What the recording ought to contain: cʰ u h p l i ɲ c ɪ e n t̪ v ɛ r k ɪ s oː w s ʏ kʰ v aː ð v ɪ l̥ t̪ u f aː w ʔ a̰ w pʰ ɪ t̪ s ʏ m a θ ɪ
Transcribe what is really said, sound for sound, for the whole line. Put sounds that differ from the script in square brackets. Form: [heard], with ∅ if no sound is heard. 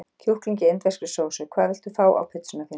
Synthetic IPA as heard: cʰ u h [k] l i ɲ c ɪ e n t̪ v ɛ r k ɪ s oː w s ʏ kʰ v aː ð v ɪ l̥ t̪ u f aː w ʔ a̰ w pʰ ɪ t̪ s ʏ [n] a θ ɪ